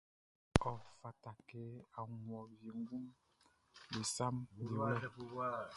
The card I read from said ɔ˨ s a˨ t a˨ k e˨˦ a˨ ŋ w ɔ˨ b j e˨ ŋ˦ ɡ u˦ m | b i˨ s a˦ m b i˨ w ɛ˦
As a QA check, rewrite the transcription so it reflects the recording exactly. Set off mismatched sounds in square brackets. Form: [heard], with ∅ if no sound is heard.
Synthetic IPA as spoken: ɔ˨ [f] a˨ t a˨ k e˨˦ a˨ ŋ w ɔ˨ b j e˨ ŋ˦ ɡ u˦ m | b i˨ s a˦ m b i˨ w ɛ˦